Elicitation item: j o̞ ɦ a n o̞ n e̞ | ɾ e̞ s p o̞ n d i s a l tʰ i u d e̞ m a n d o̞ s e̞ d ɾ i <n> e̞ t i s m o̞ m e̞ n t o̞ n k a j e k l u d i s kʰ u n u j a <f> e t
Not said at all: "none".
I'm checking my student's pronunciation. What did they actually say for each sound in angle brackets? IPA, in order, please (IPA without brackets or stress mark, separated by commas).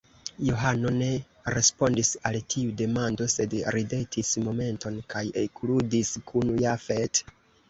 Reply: d, f